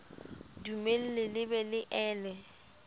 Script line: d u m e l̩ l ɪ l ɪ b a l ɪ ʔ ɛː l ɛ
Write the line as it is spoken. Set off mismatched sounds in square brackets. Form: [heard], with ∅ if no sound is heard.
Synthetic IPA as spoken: d u m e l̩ l ɪ l ɪ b [ɛ] l ɪ ʔ ɛː l ɛ